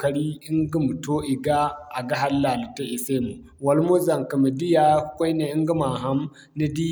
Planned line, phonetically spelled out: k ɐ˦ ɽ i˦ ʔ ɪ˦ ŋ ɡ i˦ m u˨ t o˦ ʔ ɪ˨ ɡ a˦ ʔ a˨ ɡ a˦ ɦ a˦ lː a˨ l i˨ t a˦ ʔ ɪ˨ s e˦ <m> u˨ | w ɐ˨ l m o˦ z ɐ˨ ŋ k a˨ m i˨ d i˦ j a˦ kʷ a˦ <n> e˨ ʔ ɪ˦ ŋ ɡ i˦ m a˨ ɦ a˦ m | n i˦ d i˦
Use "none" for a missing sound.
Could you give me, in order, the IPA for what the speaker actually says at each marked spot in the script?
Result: m, n

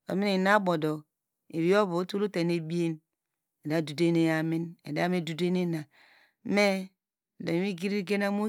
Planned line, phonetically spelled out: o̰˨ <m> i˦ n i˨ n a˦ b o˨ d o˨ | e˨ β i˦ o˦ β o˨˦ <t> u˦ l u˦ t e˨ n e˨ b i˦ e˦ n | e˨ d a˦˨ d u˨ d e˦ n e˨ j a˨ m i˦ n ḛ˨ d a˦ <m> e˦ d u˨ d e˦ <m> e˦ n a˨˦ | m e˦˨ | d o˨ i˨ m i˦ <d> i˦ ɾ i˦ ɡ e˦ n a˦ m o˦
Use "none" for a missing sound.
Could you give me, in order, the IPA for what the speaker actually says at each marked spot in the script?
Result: m, t, m, n, ɡ

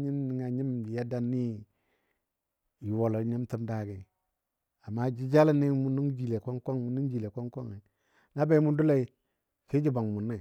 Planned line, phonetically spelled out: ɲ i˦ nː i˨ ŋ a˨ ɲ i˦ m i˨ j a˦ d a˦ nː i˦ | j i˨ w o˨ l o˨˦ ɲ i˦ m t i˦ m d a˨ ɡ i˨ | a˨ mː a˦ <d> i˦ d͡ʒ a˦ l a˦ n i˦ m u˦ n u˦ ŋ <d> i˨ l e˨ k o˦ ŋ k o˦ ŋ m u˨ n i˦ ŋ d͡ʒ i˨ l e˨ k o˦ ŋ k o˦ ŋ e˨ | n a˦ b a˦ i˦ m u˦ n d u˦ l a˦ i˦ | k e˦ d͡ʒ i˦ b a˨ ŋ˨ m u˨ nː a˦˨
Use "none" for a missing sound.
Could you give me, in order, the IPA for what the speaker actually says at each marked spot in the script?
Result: d͡ʒ, d͡ʒ

